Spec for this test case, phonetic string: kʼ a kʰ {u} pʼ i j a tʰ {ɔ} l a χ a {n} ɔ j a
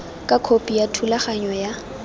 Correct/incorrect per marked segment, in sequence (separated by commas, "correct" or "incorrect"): incorrect, incorrect, incorrect